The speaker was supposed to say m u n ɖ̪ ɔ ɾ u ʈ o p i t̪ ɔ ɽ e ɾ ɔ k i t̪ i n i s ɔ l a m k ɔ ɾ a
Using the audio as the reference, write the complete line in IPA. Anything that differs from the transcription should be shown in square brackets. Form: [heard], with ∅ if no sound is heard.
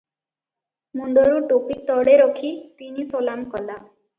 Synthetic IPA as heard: m u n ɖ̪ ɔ ɾ u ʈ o p i t̪ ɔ ɽ e ɾ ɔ [kʰ] i t̪ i n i s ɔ l a m k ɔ [l] a